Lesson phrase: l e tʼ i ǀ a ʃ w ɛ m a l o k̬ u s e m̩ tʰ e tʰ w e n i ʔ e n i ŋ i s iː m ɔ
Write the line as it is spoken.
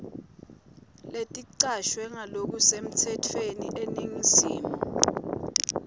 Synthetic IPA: l e tʼ i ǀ a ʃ w ɛ ŋ a l o k̬ u s e m̩ tʰ ɛ tʰ w e n i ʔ e n i ŋ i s iː m ɔ